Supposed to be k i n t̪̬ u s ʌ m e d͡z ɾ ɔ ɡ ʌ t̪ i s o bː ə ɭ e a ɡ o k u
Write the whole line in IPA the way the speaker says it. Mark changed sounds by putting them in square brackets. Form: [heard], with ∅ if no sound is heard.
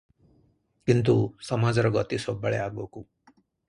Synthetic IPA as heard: k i n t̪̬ u s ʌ m [a] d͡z ɾ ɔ ɡ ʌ t̪ i s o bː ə ɭ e a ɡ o k u